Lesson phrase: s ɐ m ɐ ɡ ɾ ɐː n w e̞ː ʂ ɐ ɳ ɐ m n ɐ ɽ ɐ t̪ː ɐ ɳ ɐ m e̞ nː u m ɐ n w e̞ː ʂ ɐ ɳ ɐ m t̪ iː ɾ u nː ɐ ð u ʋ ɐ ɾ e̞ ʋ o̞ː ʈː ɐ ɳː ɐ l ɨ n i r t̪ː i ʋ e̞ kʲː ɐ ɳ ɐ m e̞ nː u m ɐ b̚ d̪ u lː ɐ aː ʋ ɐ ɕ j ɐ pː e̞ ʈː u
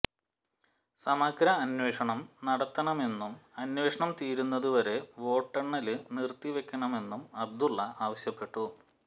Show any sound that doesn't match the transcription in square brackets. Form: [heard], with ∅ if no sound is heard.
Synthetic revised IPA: s ɐ m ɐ ɡ ɾ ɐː n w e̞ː ʂ ɐ ɳ ɐ m n ɐ ɽ ɐ t̪ː ɐ ɳ ɐ m e̞ nː u m ɐ n w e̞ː ʂ ɐ ɳ ɐ m t̪ iː ɾ u nː ɐ ð u ʋ ɐ ɾ e̞ ʋ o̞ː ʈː ɐ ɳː ɐ l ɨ n i r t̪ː i ʋ e̞ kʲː ɐ ɳ ɐ m e̞ nː u m ɐ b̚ d̪ u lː ɐ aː ʋ ɐ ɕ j ɐ pː e̞ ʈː u